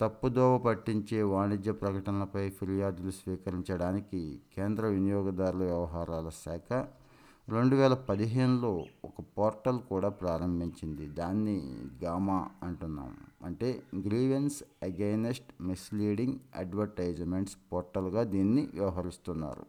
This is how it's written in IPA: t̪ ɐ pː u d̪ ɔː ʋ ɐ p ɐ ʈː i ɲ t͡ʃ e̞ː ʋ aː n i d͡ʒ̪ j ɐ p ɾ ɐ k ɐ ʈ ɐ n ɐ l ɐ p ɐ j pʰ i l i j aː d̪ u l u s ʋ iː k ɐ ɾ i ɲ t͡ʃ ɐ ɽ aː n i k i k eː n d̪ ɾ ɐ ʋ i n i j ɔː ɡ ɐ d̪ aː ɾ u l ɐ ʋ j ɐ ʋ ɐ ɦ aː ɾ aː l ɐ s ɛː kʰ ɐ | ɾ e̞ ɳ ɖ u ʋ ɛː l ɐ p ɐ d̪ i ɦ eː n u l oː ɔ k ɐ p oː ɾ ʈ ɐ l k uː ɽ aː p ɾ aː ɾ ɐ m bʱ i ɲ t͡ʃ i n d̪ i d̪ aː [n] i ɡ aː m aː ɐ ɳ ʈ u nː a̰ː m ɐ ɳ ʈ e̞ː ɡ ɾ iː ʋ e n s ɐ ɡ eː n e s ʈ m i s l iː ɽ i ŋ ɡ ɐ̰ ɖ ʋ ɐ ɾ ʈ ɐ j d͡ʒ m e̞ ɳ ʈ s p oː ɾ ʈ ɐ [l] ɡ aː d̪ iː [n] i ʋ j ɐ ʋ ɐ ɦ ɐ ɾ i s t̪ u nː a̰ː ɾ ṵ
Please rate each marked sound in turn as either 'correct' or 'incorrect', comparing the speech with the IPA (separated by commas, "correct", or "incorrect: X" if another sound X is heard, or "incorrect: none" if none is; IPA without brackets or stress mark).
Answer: incorrect: nː, correct, incorrect: nː